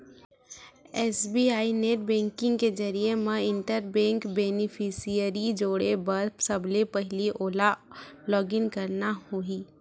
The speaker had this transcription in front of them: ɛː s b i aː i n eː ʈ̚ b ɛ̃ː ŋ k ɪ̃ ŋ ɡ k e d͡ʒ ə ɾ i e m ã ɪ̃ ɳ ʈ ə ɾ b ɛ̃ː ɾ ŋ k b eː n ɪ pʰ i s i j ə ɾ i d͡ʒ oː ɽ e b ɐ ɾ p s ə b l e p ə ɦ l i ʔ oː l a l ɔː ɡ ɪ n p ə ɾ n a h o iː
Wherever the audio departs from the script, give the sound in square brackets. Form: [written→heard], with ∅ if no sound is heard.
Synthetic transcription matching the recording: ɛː s b i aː i n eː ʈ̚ b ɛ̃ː ŋ k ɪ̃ ŋ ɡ k e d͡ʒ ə ɾ i e m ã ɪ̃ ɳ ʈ ə ɾ b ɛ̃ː [ɾ→∅] ŋ k b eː n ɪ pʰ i s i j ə ɾ i d͡ʒ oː ɽ e b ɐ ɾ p s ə b l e p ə ɦ l i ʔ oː l a l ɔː ɡ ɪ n [p→k] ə ɾ n a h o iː